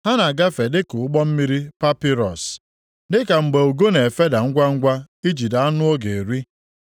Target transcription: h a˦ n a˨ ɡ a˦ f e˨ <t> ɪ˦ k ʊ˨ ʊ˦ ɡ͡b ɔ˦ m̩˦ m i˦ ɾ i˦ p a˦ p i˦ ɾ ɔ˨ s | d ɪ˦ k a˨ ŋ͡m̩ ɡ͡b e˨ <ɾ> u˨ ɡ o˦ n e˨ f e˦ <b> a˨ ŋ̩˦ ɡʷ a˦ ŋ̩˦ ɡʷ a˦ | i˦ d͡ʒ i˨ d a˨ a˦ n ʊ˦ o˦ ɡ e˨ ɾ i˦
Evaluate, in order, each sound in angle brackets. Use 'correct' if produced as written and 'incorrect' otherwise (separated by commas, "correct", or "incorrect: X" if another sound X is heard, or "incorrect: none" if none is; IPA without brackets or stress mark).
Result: incorrect: d, incorrect: none, incorrect: d